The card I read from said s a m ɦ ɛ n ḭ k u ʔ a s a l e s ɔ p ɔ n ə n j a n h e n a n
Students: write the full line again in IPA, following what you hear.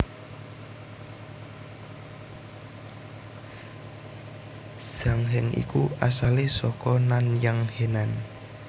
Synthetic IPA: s a ŋ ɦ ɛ ŋ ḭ k u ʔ a s a l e s ɔ k ɔ n a n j a ŋ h e n a n